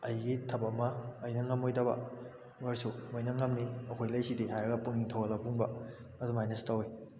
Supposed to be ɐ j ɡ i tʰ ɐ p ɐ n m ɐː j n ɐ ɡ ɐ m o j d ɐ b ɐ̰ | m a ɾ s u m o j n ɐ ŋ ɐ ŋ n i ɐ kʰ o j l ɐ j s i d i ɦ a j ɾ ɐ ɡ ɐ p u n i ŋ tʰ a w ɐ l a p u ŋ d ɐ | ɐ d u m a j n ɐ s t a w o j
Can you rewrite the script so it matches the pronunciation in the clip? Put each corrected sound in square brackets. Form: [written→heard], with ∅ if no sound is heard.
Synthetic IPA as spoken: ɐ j ɡ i tʰ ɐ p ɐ [n→∅] m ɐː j n ɐ [ɡ→ŋ] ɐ m o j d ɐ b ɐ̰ | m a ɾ s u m o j n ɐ ŋ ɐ [ŋ→m] n i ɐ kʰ o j l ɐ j s i d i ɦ a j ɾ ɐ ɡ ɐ p u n i ŋ tʰ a w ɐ l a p u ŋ [d→b] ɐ | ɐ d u m a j n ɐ s t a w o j

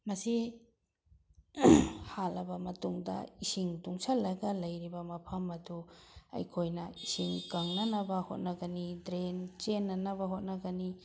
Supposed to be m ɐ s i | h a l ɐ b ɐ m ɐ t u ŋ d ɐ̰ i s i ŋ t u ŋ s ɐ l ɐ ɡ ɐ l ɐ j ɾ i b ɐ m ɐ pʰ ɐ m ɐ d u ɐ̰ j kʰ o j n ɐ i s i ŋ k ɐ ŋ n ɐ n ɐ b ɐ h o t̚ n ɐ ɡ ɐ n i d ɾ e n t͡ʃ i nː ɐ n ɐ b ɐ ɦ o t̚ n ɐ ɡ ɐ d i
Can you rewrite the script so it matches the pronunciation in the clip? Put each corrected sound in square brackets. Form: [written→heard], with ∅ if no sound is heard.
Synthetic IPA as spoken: m ɐ s i | h a l ɐ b ɐ m ɐ t u ŋ d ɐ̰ i s i ŋ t u ŋ s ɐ l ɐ ɡ ɐ l ɐ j ɾ i b ɐ m ɐ pʰ ɐ m ɐ d u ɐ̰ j kʰ o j n ɐ i s i ŋ k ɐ ŋ n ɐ n ɐ b ɐ h o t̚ n ɐ ɡ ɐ n i d ɾ e n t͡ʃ [i→e] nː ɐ n ɐ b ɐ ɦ o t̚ n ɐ ɡ ɐ [d→n] i

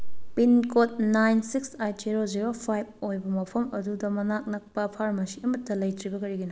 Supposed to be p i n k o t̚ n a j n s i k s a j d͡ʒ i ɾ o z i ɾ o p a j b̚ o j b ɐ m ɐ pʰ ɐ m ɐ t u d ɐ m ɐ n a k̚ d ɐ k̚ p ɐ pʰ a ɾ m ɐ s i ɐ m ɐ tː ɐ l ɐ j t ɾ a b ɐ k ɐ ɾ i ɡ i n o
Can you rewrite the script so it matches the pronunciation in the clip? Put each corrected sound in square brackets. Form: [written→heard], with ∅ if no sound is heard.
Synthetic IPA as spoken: p i n k o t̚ n a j n s i k s a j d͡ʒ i ɾ o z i ɾ o [p→pʰ] a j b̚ o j b ɐ m ɐ pʰ ɐ m ɐ [t→d] u d ɐ m ɐ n a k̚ [d→n] ɐ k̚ p ɐ pʰ a ɾ m ɐ s i ɐ m ɐ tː ɐ l ɐ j t ɾ [a→i] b ɐ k ɐ ɾ i ɡ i n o

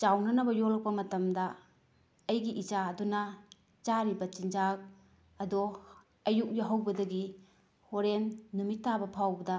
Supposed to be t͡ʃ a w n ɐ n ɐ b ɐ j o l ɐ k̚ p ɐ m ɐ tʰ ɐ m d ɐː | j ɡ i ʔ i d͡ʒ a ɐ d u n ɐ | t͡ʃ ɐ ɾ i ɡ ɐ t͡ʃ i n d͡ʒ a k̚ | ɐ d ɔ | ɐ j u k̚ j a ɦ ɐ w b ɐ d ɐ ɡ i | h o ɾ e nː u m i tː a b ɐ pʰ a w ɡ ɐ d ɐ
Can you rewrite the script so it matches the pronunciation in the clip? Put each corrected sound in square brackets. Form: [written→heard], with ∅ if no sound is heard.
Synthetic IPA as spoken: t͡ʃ a w n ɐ n ɐ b ɐ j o l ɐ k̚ p ɐ m ɐ [tʰ→t] ɐ m d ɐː | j ɡ i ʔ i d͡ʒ a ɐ d u n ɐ | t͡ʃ [ɐ→a] ɾ i [ɡ→b] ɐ t͡ʃ i n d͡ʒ a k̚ | ɐ d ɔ | ɐ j u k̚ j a ɦ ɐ w b ɐ d ɐ ɡ i | h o ɾ e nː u m i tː a b ɐ pʰ a w [ɡ→b] ɐ d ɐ

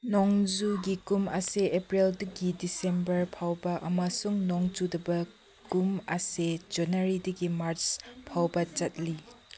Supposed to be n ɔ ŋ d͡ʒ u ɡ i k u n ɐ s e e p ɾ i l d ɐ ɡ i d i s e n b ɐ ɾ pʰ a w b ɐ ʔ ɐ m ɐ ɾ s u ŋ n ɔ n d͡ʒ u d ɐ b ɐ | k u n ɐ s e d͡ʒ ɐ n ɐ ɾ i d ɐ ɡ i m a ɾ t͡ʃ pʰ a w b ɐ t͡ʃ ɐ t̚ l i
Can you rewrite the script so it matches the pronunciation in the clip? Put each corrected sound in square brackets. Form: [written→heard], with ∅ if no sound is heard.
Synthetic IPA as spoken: n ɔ ŋ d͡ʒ u ɡ i k u [n→m] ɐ s e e p ɾ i l d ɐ ɡ i d i s e [n→m] b ɐ ɾ pʰ a w b ɐ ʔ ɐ m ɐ [ɾ→∅] s u ŋ n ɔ [n→ŋ] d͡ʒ u d ɐ b ɐ | k u [n→m] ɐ s e d͡ʒ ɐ n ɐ ɾ i d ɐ ɡ i m a ɾ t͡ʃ pʰ a w b ɐ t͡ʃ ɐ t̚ l i

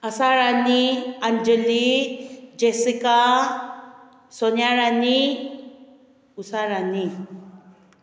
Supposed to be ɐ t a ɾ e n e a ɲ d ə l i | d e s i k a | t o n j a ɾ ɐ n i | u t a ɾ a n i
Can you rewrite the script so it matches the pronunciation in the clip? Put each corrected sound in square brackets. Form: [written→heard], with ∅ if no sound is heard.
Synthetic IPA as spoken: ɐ [t→s] a ɾ [e→a] n [e→i] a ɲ [d→d͡ʒ] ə l i | [d→d͡ʒ] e s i k a | [t→s] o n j a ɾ [ɐ→a] n i | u [t→s] a ɾ a n i

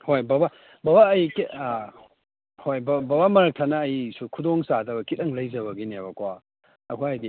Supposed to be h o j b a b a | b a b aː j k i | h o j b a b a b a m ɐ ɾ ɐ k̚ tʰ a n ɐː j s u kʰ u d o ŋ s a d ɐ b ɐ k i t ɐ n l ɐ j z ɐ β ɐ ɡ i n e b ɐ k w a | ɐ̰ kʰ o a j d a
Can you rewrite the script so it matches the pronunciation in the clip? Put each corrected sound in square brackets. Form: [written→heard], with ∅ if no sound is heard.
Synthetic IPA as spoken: h o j b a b a | b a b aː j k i | h o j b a b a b a m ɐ ɾ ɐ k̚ tʰ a n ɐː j s u kʰ u d o ŋ s a d ɐ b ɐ k i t ɐ [n→ŋ] l ɐ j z ɐ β ɐ ɡ i n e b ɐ k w a | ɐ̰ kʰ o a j d [a→i]

